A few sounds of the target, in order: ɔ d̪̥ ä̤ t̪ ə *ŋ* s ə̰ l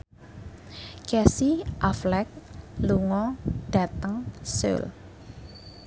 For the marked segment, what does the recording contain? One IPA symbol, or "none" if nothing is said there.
ŋ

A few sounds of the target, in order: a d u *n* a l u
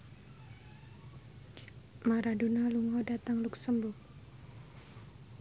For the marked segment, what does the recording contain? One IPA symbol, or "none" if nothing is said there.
n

